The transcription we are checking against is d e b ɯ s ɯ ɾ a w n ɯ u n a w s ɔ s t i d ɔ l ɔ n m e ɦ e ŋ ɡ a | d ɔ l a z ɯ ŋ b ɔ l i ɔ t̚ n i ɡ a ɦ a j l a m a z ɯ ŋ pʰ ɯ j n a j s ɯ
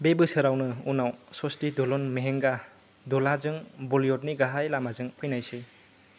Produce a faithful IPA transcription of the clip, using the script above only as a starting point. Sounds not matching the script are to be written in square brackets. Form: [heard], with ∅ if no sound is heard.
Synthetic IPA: [b] e b ɯ s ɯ ɾ a w n ɯ u n a w s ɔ s t i d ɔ l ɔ n m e ɦ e ŋ ɡ a | d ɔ l a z ɯ ŋ b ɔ l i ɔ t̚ n i ɡ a ɦ a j l a m a z ɯ ŋ pʰ ɯ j n a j s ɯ